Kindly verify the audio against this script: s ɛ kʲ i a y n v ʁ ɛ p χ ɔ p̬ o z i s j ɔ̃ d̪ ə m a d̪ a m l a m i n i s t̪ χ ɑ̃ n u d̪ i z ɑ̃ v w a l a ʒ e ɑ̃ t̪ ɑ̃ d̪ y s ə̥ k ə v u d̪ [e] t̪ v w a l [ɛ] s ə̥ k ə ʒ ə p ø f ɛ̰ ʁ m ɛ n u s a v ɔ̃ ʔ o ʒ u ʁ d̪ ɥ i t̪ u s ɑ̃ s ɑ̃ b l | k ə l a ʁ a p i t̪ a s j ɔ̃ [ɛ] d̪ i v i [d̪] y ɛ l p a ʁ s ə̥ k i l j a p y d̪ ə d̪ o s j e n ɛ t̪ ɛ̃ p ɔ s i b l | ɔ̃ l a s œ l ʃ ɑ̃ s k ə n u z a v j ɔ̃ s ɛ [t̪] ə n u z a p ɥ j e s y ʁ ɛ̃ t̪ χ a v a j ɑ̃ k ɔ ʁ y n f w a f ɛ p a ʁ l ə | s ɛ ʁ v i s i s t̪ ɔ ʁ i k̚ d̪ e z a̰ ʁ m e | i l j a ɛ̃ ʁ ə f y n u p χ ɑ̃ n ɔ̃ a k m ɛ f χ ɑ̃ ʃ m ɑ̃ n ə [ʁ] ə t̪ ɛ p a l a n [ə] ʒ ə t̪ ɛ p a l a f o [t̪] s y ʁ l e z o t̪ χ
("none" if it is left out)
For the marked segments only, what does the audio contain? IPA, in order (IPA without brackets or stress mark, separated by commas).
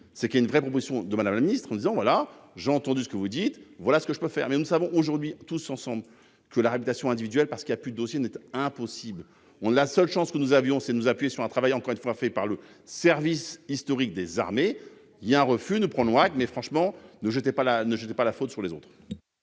i, a, ɛ̃, d̪, d̪, ʒ, ə, t̪